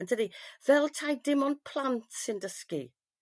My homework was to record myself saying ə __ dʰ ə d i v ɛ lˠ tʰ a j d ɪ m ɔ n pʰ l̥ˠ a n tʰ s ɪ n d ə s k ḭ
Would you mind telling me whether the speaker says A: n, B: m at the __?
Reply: A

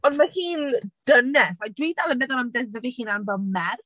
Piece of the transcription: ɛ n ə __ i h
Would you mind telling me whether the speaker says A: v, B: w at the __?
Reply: A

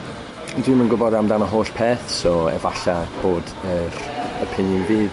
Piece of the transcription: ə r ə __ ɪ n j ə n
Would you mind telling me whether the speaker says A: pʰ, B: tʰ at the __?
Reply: A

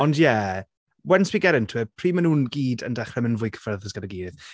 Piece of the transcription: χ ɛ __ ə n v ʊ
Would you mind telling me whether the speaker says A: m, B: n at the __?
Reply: A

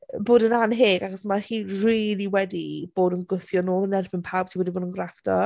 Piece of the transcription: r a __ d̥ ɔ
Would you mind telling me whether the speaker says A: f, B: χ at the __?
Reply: A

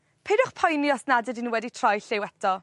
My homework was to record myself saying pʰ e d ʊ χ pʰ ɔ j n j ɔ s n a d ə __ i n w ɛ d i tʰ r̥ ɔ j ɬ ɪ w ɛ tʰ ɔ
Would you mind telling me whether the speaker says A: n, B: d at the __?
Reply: B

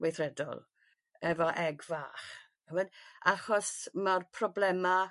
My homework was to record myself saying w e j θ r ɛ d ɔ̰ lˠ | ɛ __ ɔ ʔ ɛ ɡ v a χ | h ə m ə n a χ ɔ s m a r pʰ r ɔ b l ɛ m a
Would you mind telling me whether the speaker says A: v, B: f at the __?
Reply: A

